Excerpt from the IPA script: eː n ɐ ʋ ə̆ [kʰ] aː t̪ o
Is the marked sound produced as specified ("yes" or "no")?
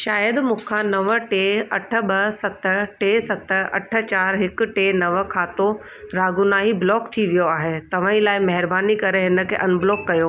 yes